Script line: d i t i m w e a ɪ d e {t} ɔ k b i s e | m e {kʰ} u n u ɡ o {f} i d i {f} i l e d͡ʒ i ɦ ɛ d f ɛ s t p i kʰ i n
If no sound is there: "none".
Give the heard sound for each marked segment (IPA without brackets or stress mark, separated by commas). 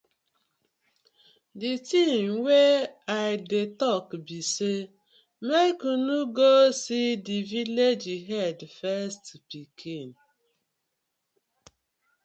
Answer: t, k, s, v